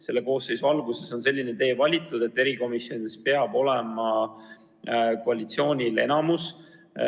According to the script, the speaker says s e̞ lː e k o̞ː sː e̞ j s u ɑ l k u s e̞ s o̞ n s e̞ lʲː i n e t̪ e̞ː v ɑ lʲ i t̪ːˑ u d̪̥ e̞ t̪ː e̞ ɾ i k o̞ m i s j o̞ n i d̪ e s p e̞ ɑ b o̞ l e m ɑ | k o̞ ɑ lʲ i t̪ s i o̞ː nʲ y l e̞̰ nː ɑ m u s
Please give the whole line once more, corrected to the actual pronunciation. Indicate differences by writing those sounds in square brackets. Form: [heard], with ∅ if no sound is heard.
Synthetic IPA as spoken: s e̞ lː e k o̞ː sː e̞ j s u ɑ l [ɡ] u s e̞ s o̞ n s e̞ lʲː i n e t̪ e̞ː v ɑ lʲ i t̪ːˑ u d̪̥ e̞ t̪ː e̞ ɾ i k o̞ m i s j o̞ n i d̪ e s p e̞ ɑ b o̞ l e m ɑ | k o̞ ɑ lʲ i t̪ s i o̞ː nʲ [i] l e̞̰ [n] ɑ m u s